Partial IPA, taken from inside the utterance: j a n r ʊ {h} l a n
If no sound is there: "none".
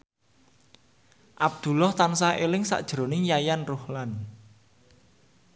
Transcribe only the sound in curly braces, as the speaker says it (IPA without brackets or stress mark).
h